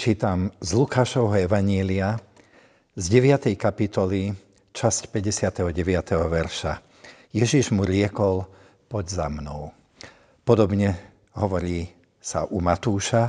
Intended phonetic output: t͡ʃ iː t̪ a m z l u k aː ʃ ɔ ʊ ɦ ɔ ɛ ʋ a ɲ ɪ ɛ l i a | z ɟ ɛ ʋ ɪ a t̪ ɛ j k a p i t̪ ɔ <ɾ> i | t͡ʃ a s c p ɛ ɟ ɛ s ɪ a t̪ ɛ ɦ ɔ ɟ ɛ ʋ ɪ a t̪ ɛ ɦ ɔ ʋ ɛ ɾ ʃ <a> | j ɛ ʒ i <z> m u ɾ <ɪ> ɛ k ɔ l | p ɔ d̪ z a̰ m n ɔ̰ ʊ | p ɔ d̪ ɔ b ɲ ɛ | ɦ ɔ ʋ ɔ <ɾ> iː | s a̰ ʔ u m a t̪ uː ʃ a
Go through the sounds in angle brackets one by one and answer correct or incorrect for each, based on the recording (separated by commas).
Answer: incorrect, correct, incorrect, correct, correct